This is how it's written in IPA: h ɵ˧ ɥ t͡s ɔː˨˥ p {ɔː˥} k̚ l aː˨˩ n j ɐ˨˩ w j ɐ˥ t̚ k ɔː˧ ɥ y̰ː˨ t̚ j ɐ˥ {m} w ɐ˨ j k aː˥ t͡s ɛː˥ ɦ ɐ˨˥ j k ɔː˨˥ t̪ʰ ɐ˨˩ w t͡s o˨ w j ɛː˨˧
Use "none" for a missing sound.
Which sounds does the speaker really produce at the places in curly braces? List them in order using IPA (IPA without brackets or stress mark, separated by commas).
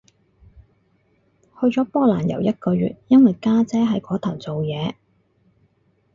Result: ɔː˥, n